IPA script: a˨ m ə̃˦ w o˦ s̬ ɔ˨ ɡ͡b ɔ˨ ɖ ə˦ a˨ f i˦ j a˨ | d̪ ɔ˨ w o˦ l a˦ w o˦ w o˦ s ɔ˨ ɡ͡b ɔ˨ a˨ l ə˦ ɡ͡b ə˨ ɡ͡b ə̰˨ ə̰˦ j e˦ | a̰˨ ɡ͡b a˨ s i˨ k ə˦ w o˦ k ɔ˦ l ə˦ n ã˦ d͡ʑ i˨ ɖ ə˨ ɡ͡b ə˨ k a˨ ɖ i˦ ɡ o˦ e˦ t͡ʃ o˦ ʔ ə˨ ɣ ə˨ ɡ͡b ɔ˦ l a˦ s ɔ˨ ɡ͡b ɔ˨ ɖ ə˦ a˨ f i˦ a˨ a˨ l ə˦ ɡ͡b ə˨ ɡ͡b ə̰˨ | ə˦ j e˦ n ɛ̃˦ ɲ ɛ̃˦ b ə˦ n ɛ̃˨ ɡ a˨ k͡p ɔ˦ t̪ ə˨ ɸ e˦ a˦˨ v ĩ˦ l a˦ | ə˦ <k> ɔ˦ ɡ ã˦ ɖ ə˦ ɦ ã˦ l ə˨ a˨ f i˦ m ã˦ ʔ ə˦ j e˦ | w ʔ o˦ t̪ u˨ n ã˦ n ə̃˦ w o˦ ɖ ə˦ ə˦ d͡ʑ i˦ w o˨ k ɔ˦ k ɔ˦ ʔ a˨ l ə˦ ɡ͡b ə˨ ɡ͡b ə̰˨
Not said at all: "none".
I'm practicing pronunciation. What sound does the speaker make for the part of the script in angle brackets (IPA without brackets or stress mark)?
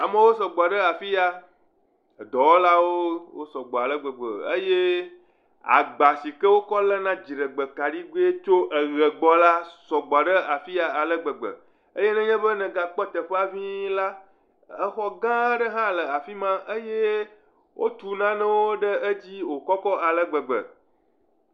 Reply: x